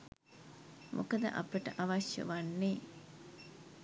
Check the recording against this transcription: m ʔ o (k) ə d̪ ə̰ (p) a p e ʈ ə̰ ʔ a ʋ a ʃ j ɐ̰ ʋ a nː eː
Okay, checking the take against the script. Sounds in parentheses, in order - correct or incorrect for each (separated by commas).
correct, incorrect